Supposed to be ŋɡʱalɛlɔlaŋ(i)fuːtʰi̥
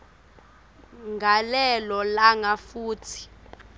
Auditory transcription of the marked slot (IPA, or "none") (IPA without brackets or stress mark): a